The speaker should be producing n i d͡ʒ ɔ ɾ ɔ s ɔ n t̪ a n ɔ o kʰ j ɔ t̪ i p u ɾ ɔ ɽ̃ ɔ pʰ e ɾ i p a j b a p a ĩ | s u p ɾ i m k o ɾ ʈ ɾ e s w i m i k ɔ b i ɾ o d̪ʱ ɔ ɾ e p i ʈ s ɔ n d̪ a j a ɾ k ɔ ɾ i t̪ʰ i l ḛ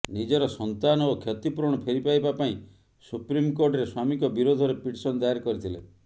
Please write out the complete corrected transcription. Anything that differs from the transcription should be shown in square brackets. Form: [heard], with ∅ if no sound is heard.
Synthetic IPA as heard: n i d͡ʒ ɔ ɾ ɔ s ɔ n t̪ a n ɔ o kʰ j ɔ t̪ i p u ɾ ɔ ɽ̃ ɔ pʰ e ɾ i p a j b a p a ĩ | s u p ɾ i m k o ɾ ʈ ɾ e s w [a] m i k ɔ b i ɾ o d̪ʱ ɔ ɾ e p i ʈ s ɔ n d̪ a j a ɾ k ɔ ɾ i t̪ʰ i l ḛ